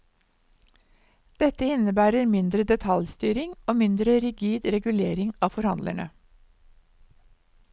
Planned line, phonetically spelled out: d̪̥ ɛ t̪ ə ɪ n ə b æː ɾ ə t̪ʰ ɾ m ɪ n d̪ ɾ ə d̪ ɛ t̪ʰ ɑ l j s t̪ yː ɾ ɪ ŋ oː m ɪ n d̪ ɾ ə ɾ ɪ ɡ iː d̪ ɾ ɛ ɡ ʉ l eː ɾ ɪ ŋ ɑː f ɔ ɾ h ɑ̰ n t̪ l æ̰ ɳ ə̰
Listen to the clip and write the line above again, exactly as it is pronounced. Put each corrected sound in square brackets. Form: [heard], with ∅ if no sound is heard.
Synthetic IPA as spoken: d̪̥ ɛ t̪ ə ɪ n ə b æː ɾ ə [∅] ɾ m ɪ n d̪ ɾ ə d̪ ɛ t̪ʰ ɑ l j s t̪ yː ɾ ɪ ŋ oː m ɪ n d̪ ɾ ə ɾ ɪ ɡ iː d̪ ɾ ɛ ɡ ʉ l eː ɾ ɪ ŋ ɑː f ɔ ɾ h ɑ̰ n [d̪] l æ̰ ɳ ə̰

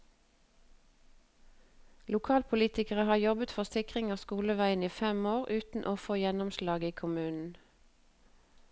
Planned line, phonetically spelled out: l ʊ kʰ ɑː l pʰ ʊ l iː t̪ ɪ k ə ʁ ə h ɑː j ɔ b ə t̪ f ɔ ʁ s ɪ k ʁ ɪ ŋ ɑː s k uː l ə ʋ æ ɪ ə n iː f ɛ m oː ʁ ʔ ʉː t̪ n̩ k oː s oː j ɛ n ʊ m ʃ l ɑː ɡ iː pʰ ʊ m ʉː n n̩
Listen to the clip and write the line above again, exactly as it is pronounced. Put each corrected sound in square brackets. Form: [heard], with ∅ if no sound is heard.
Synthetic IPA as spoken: l ʊ kʰ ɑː l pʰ ʊ l iː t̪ ɪ k ə ʁ ə h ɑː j ɔ b ə t̪ f ɔ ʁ s ɪ k ʁ ɪ ŋ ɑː s k uː l ə ʋ æ ɪ ə n iː f ɛ m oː ʁ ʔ ʉː t̪ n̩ [ʔ] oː [f] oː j ɛ n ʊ m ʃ l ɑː ɡ iː [kʰ] ʊ m ʉː n n̩

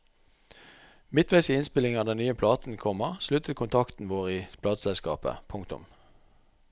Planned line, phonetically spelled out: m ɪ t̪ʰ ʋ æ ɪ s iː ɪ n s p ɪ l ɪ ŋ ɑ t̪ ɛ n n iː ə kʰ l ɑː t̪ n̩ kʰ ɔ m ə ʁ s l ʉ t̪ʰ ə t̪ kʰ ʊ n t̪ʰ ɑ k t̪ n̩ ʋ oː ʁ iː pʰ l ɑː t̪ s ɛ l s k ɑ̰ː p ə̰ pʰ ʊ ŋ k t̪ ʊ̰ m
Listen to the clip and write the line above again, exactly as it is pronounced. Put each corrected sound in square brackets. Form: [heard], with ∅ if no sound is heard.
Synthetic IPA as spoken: m ɪ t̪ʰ ʋ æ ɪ s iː ɪ n s p ɪ l ɪ ŋ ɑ [d̪] ɛ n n [yː] ə [pʰ] l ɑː t̪ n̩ kʰ ɔ m ə ʁ s l ʉ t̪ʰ ə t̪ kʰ ʊ n t̪ʰ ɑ k t̪ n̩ ʋ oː ʁ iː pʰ l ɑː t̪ s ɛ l s k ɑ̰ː p ə̰ pʰ ʊ ŋ k t̪ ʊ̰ m

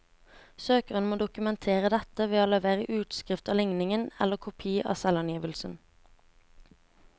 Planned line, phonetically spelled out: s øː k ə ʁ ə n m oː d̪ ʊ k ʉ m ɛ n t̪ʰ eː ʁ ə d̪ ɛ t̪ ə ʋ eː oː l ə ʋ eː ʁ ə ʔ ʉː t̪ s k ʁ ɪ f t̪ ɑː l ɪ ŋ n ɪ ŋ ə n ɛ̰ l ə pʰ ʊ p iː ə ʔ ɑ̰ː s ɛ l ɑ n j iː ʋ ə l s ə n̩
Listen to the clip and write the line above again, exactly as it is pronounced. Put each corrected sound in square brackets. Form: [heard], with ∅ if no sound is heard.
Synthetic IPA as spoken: s øː k ə ʁ ə n m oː d̪ ʊ k ʉ m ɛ n t̪ʰ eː ʁ ə d̪ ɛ t̪ ə ʋ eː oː l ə ʋ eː ʁ ə ʔ ʉː t̪ s k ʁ ɪ f t̪ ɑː l ɪ ŋ n ɪ ŋ ə n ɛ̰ l ə [kʰ] ʊ [pʰ] iː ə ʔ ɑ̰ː s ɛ l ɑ n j iː ʋ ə l s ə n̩

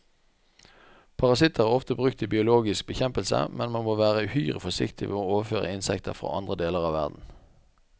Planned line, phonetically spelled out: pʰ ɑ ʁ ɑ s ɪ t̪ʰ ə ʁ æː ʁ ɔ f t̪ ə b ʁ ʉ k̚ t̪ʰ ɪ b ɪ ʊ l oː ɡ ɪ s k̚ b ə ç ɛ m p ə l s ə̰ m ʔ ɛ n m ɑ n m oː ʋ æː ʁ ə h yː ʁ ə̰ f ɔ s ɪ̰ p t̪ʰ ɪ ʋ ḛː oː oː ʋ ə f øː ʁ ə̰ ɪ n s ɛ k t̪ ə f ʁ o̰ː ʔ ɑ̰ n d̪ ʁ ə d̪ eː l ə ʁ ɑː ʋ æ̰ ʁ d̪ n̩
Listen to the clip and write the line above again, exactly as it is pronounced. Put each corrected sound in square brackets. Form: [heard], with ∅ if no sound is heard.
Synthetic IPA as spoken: pʰ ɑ ʁ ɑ s ɪ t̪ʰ ə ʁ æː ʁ ɔ f t̪ ə b ʁ ʉ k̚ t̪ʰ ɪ b ɪ ʊ l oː ɡ ɪ s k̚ b ə ç ɛ m p ə l s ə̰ m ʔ ɛ n m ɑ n m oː ʋ æː ʁ ə h yː ʁ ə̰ f ɔ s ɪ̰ [k] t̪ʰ ɪ ʋ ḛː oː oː ʋ ə f øː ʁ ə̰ ɪ n s ɛ k t̪ ə f ʁ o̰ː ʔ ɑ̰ n d̪ ʁ ə d̪ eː l ə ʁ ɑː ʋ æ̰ ʁ d̪ n̩

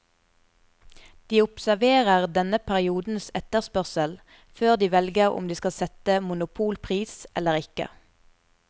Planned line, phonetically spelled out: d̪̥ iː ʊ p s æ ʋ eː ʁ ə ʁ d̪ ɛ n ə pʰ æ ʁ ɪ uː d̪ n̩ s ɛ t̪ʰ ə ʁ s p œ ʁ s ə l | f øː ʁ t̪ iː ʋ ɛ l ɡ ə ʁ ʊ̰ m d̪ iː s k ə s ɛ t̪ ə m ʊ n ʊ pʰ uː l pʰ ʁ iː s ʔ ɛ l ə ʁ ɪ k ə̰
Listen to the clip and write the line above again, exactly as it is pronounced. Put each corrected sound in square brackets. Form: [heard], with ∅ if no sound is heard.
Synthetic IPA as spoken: d̪̥ iː ʊ p s æ ʋ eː ʁ ə ʁ d̪ ɛ n ə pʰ æ ʁ ɪ uː d̪ n̩ s ɛ [t̪] ə ʁ s p œ ʁ s ə l | f øː ʁ [d̪] iː ʋ ɛ l ɡ ə ʁ ʊ̰ m d̪ iː s k [ɑ] s ɛ t̪ ə m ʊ n ʊ pʰ uː l pʰ ʁ iː s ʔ ɛ l ə ʁ ɪ k ə̰

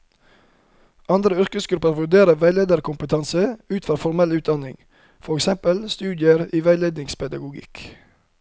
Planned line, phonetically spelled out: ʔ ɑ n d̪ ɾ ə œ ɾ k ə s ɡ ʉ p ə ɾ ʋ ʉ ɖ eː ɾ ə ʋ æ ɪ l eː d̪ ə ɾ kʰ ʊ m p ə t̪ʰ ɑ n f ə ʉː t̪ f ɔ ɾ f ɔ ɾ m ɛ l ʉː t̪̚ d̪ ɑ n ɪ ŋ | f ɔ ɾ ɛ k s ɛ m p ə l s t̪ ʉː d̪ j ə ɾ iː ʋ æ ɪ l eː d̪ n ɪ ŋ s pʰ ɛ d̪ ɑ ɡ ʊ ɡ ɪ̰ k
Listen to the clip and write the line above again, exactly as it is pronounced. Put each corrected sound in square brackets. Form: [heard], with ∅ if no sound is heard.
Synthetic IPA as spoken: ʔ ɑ n d̪ ɾ ə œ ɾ k ə s ɡ ʉ p ə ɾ ʋ ʉ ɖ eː ɾ ə ʋ æ ɪ l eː d̪ ə ɾ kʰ ʊ m p ə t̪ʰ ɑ n [s] ə ʉː t̪ f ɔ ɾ f ɔ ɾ m ɛ l ʉː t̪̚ d̪ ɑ n ɪ ŋ | f ɔ ɾ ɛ k s ɛ m p ə l s t̪ ʉː d̪ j ə ɾ iː ʋ æ ɪ l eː d̪ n ɪ ŋ s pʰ ɛ d̪ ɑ ɡ ʊ ɡ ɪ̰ k

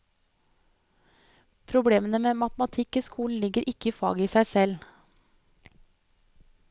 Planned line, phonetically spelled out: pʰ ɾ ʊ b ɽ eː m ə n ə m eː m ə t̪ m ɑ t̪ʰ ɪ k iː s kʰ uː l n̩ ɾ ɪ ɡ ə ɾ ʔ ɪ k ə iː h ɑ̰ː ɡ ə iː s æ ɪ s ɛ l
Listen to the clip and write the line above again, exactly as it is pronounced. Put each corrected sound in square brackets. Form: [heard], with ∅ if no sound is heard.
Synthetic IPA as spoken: pʰ ɾ ʊ b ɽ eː m ə n ə m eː m [ɑ] t̪ m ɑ t̪ʰ ɪ k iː s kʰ uː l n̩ [l] ɪ ɡ ə ɾ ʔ ɪ k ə iː [f] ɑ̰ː ɡ ə iː s æ ɪ s ɛ l

